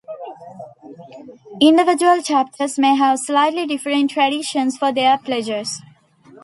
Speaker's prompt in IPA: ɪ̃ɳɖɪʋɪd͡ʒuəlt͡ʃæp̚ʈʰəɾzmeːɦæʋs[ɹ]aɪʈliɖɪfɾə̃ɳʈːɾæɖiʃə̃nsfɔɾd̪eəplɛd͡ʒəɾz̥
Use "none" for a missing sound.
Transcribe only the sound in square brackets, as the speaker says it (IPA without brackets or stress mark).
l